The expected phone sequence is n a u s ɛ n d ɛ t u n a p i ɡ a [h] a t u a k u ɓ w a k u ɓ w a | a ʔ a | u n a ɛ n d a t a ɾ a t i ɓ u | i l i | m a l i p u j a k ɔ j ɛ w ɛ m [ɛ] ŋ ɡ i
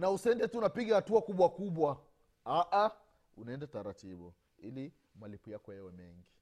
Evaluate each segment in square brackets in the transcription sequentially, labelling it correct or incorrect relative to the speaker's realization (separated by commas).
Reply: correct, correct